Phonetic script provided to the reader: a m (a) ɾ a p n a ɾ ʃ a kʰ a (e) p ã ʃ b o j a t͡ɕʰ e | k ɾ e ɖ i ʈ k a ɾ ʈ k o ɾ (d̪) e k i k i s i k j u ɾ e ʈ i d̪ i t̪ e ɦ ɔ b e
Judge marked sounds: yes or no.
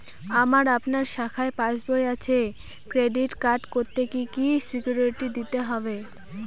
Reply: yes, yes, no

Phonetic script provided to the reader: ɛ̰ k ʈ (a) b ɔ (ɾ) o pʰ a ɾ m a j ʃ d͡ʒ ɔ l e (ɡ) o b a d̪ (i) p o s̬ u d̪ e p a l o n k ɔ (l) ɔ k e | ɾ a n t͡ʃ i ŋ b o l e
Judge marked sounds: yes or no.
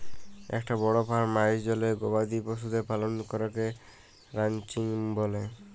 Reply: yes, no, yes, yes, no

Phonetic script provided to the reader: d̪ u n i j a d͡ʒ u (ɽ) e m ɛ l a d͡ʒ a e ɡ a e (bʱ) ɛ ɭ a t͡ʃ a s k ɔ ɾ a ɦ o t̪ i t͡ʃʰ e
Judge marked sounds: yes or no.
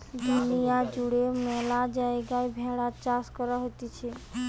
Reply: yes, yes

